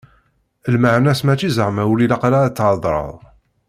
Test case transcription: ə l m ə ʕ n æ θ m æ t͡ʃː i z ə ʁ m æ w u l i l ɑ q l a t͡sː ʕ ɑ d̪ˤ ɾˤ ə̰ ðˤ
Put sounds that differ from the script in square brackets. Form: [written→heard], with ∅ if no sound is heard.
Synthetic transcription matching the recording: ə l m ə ʕ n æ [θ→s] m æ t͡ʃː i z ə ʁ m æ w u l i l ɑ q l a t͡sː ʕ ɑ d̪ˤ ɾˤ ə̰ ðˤ